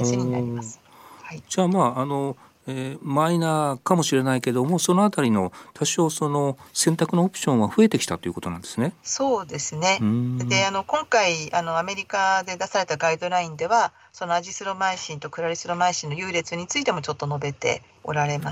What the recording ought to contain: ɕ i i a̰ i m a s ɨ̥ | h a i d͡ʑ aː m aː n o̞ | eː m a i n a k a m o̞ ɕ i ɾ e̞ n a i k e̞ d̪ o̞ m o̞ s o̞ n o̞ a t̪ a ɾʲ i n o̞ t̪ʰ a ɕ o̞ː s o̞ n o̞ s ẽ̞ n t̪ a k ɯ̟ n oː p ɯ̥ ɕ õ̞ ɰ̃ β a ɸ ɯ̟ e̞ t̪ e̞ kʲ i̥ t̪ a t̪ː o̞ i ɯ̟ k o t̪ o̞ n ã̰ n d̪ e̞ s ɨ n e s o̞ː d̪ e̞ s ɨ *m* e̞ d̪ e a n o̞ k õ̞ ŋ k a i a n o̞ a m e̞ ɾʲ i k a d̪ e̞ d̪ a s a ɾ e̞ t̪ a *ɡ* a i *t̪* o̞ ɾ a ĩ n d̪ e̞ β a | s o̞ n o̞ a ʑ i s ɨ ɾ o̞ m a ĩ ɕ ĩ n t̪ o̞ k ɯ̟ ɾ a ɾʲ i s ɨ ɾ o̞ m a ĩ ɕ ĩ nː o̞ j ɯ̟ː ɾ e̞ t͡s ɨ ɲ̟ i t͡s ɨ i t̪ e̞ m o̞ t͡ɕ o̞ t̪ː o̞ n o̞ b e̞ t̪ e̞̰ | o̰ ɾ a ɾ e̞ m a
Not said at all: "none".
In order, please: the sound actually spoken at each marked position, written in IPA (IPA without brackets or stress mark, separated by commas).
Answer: n, ɡ, d̪